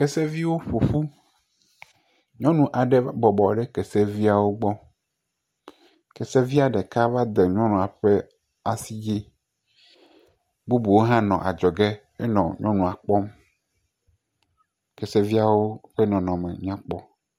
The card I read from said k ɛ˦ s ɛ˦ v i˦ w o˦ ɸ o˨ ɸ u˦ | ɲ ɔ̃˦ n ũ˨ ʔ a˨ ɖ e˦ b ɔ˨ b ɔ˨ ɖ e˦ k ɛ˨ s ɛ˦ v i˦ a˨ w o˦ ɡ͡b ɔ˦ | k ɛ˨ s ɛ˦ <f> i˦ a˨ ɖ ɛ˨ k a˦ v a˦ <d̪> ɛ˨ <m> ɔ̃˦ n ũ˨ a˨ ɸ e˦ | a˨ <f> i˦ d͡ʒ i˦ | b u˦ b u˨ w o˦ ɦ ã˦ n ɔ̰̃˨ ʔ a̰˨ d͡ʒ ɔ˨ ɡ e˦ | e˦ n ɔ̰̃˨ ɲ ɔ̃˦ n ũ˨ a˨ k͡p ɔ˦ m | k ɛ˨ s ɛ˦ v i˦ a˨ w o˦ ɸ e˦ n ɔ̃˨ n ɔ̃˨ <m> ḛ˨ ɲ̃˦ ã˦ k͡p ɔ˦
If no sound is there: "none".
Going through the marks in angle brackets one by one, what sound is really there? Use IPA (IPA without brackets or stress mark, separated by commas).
v, d̪, ɲ, s, m